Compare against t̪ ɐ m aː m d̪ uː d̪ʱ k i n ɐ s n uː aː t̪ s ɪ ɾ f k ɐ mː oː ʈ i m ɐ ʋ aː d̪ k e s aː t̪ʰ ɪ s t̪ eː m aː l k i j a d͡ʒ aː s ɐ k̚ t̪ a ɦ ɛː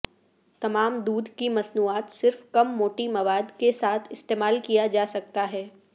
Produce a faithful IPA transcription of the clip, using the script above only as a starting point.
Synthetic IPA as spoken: t̪ ɐ m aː m d̪ uː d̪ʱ k i m ɐ s n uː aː t̪ s ɪ ɾ f k ɐ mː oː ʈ i m ɐ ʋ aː d̪ k e s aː t̪ʰ ɪ s t̪ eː m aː l k i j a d͡ʒ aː s ɐ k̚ t̪ a ɦ ɛː